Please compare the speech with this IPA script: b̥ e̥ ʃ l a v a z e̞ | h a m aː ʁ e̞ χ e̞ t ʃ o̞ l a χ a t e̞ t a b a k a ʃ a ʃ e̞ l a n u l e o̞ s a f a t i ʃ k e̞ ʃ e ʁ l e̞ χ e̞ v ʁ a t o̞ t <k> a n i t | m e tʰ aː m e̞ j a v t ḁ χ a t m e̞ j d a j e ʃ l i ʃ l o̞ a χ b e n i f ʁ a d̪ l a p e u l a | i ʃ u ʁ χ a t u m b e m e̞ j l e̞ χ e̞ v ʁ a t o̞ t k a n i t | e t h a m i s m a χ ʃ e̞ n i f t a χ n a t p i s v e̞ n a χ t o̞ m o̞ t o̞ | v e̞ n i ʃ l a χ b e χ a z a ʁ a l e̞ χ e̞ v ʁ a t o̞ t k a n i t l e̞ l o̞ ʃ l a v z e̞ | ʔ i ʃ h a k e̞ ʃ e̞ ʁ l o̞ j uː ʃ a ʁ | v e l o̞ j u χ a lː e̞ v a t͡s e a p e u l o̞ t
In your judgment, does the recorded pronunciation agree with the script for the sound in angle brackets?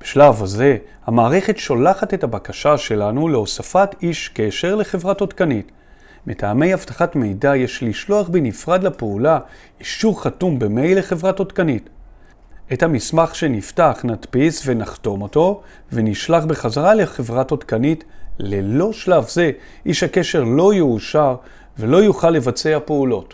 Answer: yes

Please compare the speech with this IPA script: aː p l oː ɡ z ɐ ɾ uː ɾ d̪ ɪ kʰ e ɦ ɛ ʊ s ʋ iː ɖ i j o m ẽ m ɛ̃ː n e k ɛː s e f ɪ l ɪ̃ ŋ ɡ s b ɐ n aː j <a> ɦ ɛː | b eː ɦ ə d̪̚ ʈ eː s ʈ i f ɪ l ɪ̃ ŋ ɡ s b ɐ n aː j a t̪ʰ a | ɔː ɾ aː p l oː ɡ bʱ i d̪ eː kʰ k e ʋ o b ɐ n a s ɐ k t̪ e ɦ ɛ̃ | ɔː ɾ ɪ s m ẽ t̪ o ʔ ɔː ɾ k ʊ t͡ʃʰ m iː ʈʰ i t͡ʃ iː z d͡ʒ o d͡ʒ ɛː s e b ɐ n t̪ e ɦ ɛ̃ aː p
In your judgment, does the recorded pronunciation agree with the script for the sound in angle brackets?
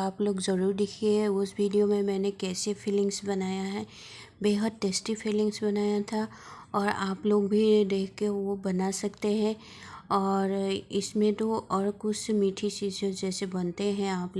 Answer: yes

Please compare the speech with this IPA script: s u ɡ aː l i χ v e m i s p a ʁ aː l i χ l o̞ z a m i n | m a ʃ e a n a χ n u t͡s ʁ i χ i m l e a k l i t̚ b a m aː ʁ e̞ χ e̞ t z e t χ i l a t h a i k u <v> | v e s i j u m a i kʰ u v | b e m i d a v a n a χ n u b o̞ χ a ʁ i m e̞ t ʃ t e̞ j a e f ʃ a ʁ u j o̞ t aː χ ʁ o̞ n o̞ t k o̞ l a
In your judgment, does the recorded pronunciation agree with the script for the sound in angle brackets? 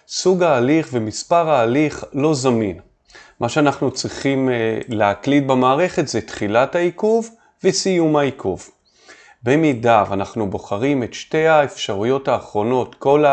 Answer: yes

